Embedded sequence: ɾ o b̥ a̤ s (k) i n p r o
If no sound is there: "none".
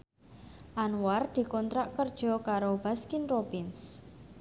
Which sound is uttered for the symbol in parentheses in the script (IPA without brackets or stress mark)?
k